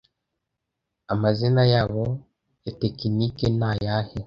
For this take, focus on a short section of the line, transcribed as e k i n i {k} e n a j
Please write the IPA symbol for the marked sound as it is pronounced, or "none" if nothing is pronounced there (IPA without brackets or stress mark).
k